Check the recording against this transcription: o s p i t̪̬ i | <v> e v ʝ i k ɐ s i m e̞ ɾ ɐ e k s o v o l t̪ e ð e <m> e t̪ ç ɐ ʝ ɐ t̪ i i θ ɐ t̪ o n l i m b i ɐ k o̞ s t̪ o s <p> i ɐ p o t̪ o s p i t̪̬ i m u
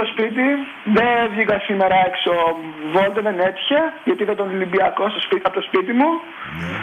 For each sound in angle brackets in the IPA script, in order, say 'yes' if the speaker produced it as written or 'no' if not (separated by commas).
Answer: no, no, yes